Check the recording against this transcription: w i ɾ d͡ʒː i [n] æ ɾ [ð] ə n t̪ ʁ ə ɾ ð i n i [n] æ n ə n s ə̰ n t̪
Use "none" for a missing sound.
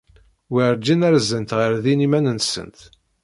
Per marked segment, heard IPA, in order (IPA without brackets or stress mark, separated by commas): n, z, m